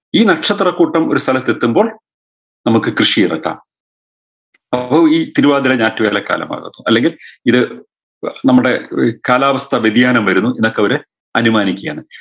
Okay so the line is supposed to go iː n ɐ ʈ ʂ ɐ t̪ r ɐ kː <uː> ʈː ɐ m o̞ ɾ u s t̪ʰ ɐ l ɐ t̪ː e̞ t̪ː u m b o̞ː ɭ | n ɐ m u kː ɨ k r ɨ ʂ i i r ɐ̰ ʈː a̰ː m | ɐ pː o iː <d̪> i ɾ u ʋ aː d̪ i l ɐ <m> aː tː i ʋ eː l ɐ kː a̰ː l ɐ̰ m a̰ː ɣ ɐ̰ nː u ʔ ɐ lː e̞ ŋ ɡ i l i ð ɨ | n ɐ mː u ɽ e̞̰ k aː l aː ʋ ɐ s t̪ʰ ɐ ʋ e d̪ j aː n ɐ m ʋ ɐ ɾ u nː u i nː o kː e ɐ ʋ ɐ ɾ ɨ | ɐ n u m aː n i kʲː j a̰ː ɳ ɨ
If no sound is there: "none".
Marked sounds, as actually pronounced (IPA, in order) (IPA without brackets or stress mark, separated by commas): uː, t̪, ɲ